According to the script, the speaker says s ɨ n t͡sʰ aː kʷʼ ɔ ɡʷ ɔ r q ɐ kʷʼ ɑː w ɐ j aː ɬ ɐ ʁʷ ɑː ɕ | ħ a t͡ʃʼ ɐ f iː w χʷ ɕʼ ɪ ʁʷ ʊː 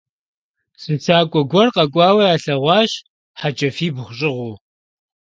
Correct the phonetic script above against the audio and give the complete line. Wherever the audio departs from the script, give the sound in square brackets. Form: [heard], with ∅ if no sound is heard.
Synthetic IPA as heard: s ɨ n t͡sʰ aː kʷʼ ɔ ɡʷ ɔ r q ɐ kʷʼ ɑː w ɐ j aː ɬ ɐ ʁʷ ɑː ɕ | ħ a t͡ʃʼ ɐ f iː [b] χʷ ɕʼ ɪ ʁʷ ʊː